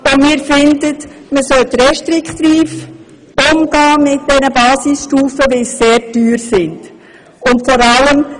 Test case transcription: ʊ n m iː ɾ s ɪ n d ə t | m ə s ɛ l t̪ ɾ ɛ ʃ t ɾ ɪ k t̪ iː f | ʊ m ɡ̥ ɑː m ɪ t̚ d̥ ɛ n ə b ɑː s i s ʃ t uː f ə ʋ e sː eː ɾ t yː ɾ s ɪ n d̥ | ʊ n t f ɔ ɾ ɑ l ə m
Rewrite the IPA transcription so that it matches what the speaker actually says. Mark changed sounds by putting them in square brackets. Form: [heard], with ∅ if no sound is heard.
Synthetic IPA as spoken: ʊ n m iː ɾ [f] ɪ n d ə t | m ə s [œ] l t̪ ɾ ɛ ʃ t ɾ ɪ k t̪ iː f | ʊ m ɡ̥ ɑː m ɪ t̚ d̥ ɛ n ə b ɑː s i s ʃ t uː f ə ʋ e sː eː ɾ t yː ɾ s ɪ n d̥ | ʊ n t f ɔ ɾ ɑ l ə m